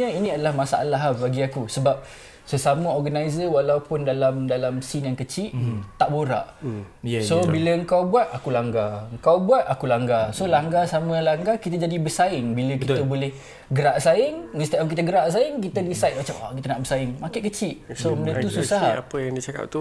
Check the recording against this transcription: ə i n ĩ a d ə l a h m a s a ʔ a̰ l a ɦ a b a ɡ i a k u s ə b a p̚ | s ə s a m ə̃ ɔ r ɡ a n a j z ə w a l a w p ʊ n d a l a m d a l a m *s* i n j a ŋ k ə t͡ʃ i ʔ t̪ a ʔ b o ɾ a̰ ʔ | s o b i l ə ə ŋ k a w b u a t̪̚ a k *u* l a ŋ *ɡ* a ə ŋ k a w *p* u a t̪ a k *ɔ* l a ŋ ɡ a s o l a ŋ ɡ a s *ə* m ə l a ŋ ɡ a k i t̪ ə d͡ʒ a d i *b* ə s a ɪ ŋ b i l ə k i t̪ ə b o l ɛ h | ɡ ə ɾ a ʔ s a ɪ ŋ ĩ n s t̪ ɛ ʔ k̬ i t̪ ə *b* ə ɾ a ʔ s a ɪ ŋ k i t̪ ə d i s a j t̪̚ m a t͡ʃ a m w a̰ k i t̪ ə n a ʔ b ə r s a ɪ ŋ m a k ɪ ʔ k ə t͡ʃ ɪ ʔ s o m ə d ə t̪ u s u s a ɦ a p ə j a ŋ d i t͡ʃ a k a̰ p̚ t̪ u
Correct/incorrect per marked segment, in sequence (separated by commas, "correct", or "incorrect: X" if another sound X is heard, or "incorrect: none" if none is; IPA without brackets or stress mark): correct, correct, correct, incorrect: b, incorrect: u, incorrect: a, correct, incorrect: ɡ